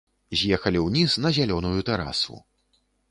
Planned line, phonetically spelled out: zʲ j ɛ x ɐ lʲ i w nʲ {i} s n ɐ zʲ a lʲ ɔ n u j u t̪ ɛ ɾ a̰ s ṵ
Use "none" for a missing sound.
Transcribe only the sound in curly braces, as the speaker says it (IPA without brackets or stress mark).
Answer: i